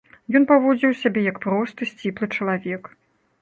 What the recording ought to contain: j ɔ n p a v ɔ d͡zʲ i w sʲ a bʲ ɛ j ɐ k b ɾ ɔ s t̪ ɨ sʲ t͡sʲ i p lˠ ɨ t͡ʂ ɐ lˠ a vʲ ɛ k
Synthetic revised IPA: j ɔ n p a v ɔ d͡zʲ i w sʲ a bʲ ɛ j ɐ k p ɾ ɔ s t̪ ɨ sʲ t͡sʲ i p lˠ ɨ t͡ʂ ɐ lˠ a vʲ ɛ k

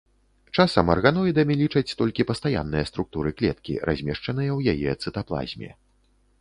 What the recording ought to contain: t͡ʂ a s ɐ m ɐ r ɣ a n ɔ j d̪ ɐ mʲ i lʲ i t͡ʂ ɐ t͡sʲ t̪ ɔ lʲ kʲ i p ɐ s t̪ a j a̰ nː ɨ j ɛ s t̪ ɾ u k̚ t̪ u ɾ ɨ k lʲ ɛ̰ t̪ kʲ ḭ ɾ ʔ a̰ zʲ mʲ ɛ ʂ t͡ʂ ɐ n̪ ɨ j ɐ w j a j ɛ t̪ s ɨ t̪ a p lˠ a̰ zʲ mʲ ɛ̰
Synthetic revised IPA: t͡ʂ a s ɐ m ɐ r ɣ a n ɔ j d̪ ɐ mʲ i lʲ i t͡ʂ ɐ t͡sʲ t̪ ɔ lʲ kʲ i p ɐ s t̪ a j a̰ nː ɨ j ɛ s t̪ ɾ u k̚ t̪ u ɾ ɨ k lʲ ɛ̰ t̪ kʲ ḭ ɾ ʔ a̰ zʲ mʲ ɛ ʂ t͡ʂ ɐ n̪ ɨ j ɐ w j a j ɛ t̪ s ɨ t̪ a p lˠ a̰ zʲ mʲ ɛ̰

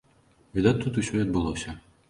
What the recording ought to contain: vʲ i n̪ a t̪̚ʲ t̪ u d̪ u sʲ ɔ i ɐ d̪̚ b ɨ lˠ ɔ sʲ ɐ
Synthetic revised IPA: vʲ i d̪ a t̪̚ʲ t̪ u t̪ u sʲ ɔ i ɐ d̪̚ b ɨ lˠ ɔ sʲ ɐ

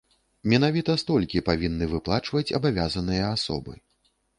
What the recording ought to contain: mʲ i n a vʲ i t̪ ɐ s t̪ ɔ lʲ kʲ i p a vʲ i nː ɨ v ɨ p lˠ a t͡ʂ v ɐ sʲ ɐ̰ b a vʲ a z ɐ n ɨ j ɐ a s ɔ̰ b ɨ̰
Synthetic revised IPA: mʲ ɛ n a vʲ i t̪ ɐ s t̪ ɔ lʲ kʲ i p a vʲ i nː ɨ v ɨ p lˠ a t͡ʂ v ɐ t͡sʲ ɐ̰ b a vʲ a z ɐ n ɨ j ɐ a s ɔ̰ b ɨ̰

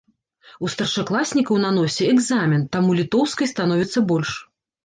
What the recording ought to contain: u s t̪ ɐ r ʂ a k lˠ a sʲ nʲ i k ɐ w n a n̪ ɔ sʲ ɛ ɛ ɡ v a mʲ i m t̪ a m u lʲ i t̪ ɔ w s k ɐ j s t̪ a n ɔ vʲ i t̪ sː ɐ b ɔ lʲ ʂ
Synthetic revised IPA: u s t̪ ɐ r ʂ a k lˠ a sʲ nʲ i k ɐ w n a n̪ ɔ sʲ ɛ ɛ ɡ z a mʲ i n t̪ a m u lʲ i t̪ ɔ w s k ɐ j s t̪ a n ɔ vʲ i t̪ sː ɐ b ɔ lʲ ʂ

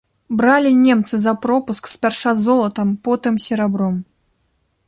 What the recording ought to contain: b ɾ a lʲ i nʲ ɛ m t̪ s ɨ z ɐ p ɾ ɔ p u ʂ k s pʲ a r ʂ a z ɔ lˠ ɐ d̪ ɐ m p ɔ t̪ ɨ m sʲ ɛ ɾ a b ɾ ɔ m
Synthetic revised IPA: b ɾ a lʲ i nʲ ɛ m t̪ s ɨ z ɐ p ɾ ɔ p u s k s pʲ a r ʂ a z ɔ lˠ ɐ t̪ ɐ m p ɔ t̪ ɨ m sʲ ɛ ɾ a b ɾ ɔ m

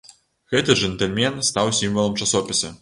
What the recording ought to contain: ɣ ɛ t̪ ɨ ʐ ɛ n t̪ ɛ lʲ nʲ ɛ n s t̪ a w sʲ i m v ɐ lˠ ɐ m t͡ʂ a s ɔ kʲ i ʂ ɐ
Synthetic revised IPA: ɣ ɛ t̪ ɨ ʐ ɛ n t̪ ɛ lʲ mʲ ɛ n s t̪ a w sʲ i m v ɐ lˠ ɐ m t͡ʂ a s ɔ pʲ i s ɐ

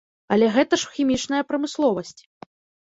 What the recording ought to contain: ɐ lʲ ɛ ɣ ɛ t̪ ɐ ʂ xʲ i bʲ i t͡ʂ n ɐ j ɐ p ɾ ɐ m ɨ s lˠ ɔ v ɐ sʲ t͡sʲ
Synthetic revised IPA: ɐ lʲ ɛ ɣ ɛ t̪ ɐ ʂ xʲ i mʲ i t͡ʂ n ɐ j ɐ p ɾ ɐ m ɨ s lˠ ɔ v ɐ sʲ t͡sʲ

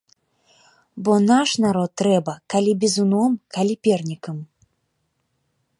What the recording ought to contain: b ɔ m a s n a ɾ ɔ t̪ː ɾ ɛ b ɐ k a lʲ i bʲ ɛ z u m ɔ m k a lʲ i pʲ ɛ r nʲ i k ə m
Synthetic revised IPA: b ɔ n a ʂ n a ɾ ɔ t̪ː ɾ ɛ b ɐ k a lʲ i bʲ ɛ z u n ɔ m k a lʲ i pʲ ɛ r nʲ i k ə m

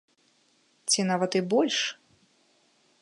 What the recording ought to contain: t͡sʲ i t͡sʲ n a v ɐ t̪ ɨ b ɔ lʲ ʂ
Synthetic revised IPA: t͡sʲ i n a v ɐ t̪ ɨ b ɔ lʲ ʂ

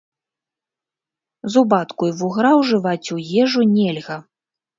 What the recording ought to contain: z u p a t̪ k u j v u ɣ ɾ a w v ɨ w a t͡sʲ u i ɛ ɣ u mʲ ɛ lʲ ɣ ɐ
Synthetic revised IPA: z u b a t̪ k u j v u ɣ ɾ a w ʐ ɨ v a t͡sʲ u j ɛ ʐ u nʲ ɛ lʲ ɣ ɐ

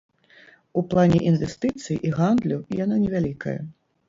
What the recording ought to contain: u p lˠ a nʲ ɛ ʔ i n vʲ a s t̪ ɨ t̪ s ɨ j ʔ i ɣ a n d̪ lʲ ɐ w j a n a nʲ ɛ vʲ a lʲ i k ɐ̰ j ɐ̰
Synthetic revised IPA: u p lˠ a nʲ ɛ ʔ i n vʲ ɛ s t̪ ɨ t̪ s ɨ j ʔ i ɣ a n d̪ lʲ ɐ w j a n a nʲ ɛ vʲ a lʲ i k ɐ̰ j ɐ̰

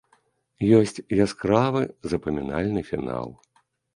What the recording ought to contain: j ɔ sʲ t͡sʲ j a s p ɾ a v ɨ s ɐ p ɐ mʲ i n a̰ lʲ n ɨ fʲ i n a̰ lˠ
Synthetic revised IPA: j ɔ sʲ t͡sʲ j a s k ɾ a v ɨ z ɐ p ɐ mʲ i n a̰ lʲ n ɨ fʲ i n a̰ lˠ

